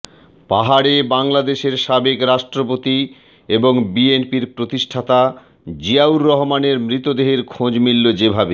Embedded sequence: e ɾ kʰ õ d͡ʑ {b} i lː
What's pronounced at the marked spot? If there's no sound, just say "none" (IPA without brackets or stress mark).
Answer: m